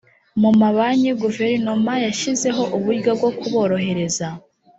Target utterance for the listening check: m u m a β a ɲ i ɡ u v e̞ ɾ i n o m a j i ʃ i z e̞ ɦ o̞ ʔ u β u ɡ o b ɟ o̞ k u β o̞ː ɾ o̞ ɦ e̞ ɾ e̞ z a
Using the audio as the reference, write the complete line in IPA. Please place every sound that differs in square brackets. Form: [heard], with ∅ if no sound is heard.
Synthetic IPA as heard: m u m a β a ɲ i ɡ u v e̞ ɾ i n o m a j [a] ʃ i z e̞ ɦ o̞ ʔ u β u ɡ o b [ɡ] o̞ k u β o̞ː ɾ o̞ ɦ e̞ ɾ e̞ z a